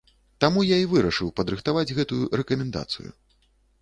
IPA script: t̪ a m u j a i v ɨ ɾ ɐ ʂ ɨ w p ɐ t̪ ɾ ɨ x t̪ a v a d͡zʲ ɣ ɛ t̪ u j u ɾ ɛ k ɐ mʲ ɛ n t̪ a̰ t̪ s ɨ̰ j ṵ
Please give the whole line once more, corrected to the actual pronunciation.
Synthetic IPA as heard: t̪ a m u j a i v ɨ ɾ ɐ ʂ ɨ w p ɐ d̪ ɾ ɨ x t̪ a v a d͡zʲ ɣ ɛ t̪ u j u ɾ ɛ k ɐ mʲ ɛ n d̪ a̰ t̪ s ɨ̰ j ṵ